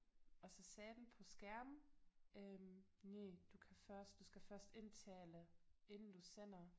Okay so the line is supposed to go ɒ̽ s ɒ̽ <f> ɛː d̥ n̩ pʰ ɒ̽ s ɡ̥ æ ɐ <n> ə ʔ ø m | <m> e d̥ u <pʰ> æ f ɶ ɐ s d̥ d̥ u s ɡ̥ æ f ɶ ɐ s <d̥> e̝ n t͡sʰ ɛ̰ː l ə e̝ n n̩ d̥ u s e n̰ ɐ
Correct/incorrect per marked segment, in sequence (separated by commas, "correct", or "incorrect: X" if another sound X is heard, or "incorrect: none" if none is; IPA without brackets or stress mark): incorrect: s, incorrect: m, incorrect: n, incorrect: kʰ, correct